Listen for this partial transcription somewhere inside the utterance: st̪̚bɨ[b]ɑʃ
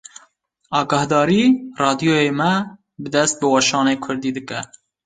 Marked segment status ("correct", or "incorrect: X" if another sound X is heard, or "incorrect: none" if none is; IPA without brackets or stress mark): incorrect: w